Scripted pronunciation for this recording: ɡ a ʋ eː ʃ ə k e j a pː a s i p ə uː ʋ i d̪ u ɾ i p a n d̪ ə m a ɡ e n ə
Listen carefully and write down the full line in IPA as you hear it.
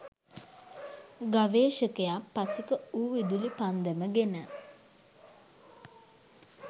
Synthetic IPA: ɡ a ʋ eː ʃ ə k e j a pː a s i k ə uː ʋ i d̪ u l i p a n d̪ ə m ə ɡ e n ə